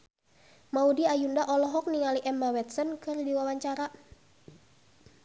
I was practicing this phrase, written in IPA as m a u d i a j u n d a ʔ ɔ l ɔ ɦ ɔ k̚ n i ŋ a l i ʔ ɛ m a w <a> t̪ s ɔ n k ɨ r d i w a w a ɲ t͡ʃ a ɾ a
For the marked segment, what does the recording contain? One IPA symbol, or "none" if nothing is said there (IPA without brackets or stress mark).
ɛ